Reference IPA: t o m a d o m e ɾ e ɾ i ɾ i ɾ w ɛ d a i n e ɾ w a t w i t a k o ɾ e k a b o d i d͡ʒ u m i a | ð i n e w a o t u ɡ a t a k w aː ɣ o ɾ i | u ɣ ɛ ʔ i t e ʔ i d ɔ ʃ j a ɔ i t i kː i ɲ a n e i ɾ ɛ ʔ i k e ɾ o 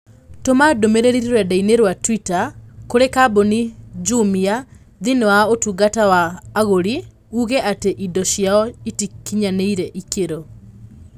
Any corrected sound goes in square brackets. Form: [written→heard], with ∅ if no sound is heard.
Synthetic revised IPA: t o m a d o m e ɾ e ɾ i ɾ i ɾ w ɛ d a i n e ɾ w a t w i t a k o ɾ e k a b o [d→n] i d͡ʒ u m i a | ð i n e w a o t u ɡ a t a [k→∅] w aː ɣ o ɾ i | u ɣ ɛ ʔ [i→a] t e ʔ i d ɔ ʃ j a ɔ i t i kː i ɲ a n e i ɾ ɛ ʔ i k e ɾ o